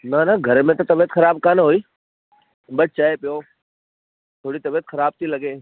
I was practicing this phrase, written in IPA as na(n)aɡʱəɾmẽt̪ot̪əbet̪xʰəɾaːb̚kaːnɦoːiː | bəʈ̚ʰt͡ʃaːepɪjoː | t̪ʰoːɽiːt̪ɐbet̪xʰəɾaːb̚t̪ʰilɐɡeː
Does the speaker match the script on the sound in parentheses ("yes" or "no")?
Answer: yes